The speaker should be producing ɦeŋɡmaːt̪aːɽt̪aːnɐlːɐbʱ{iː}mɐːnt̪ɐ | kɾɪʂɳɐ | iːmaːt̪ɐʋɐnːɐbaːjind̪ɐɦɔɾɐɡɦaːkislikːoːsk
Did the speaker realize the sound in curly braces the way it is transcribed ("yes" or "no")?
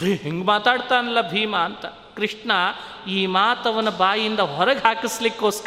yes